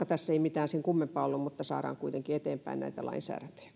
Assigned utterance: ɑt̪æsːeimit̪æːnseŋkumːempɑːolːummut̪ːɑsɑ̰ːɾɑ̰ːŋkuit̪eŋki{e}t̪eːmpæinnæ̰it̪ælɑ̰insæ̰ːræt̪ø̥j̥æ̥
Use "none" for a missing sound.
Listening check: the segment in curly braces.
e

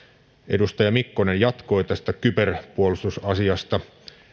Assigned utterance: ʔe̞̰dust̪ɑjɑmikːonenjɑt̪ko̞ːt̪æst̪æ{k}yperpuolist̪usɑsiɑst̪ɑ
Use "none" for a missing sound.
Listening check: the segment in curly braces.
k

